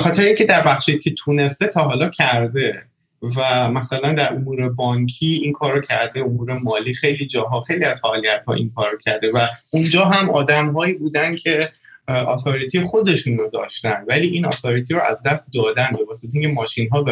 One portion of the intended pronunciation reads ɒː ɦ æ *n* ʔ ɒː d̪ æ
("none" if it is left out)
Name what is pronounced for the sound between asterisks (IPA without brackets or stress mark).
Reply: m